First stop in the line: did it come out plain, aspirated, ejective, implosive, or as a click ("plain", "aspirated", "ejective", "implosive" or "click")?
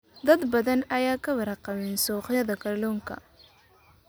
plain